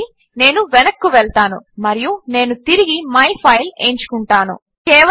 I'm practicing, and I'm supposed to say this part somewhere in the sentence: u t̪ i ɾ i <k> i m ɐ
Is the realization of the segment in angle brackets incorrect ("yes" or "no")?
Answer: yes